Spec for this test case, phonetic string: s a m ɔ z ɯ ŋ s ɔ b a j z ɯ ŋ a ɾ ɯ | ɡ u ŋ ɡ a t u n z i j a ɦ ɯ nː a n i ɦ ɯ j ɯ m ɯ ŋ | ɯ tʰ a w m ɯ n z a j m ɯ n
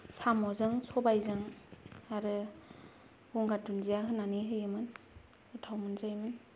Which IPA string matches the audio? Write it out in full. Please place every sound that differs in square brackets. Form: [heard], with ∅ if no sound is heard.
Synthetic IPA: s a m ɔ z ɯ ŋ s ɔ b a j z ɯ ŋ a ɾ ɯ | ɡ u ŋ ɡ a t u n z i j a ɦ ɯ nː a n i ɦ ɯ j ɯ m ɯ [n] | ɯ tʰ a w m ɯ n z a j m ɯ n